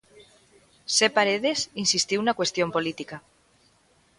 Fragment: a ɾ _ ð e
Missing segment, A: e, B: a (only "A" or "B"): A